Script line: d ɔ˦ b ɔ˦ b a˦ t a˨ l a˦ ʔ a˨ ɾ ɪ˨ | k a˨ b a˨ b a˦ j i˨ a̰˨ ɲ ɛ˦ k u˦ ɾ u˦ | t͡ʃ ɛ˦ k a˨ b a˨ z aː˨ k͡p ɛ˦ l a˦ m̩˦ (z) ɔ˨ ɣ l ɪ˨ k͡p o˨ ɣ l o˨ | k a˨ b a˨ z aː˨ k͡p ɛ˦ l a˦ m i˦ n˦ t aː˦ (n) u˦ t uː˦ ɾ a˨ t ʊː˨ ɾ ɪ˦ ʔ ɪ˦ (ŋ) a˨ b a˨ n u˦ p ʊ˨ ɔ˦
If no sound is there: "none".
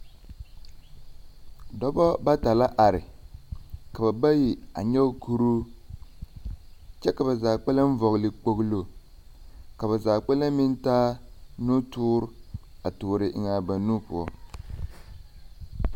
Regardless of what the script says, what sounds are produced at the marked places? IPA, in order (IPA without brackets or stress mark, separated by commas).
v, n, ŋ